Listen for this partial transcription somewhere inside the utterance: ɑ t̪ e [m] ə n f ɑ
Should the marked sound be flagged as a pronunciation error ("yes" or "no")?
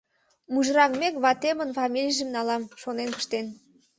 no